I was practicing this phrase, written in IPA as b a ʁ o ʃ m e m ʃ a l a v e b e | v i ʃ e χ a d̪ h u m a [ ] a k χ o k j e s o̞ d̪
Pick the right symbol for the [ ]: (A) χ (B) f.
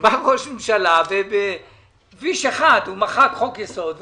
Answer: A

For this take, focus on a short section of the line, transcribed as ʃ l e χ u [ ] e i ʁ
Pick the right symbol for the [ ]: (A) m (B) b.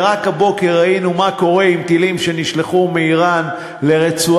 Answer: A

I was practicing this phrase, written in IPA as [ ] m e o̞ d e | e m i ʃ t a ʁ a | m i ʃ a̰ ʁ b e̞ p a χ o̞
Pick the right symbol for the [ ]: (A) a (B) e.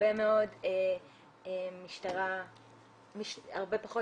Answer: B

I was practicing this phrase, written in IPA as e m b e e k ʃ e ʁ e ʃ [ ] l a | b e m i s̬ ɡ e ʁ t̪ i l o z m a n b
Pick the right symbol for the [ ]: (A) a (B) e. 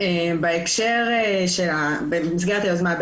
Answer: B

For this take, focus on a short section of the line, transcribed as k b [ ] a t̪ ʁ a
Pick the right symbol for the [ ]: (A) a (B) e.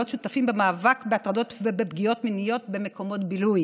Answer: B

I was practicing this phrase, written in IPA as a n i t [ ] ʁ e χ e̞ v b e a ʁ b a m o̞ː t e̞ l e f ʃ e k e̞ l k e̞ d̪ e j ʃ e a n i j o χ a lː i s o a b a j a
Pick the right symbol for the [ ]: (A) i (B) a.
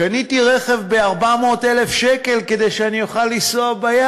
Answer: A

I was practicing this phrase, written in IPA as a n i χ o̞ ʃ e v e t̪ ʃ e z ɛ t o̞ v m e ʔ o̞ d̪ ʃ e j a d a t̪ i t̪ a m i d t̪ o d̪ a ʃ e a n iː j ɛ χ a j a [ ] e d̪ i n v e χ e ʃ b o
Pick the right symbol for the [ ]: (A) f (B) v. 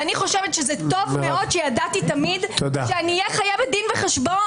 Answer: B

